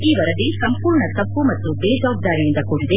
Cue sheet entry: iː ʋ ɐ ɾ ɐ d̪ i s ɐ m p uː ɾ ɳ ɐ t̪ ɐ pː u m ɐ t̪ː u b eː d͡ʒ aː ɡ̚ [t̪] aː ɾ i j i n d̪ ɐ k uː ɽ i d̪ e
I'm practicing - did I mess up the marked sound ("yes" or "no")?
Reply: yes